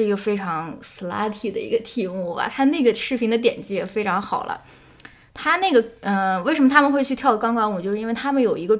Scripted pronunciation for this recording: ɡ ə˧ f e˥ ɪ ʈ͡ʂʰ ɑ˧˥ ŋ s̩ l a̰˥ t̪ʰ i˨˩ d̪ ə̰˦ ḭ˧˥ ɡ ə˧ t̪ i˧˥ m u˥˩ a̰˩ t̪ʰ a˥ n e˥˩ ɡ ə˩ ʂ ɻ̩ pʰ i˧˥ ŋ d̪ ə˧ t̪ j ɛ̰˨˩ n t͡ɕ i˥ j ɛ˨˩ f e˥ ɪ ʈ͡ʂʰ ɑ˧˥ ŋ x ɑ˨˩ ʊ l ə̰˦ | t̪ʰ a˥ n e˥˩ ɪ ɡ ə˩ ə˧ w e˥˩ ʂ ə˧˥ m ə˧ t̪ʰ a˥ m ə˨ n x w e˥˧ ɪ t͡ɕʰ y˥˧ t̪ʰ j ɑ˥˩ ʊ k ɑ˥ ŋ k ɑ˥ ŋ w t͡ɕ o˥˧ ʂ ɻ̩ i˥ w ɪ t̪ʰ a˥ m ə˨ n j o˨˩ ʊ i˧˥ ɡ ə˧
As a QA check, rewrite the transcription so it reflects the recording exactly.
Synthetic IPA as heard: ɡ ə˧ f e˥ ɪ ʈ͡ʂʰ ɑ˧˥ ŋ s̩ l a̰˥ t̪ʰ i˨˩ d̪ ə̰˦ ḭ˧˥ ɡ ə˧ t̪ʰ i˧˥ m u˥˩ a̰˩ t̪ʰ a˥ n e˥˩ ɡ ə˩ ʂ ɻ̩ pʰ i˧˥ ŋ d̪ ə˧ t̪ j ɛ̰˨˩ n t͡ɕ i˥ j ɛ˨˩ f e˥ ɪ ʈ͡ʂʰ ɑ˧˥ ŋ x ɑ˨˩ ʊ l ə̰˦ | t̪ʰ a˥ n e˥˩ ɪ ɡ ə˩ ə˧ w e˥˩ ʂ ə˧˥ m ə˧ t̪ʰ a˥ m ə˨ n x w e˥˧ ɪ t͡ɕʰ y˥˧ t̪ʰ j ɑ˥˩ ʊ k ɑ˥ ŋ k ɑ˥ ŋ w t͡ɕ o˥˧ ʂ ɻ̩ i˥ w ɪ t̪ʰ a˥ m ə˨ n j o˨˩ ʊ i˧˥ ɡ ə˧